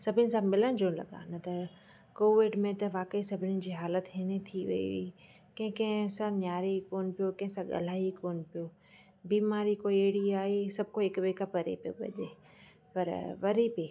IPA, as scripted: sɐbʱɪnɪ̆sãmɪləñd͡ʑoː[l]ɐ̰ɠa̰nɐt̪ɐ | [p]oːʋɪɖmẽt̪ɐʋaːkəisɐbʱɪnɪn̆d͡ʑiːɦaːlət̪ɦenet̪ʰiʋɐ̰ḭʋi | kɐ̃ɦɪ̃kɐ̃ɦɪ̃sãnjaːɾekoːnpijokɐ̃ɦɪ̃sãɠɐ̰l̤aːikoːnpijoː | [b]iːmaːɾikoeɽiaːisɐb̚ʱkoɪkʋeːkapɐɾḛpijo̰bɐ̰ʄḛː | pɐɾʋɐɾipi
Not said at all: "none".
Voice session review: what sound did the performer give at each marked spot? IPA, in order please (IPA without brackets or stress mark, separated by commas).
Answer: l, k, b